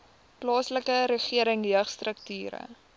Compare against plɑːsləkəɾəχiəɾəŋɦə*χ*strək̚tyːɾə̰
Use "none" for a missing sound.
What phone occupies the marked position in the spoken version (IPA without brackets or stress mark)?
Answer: χ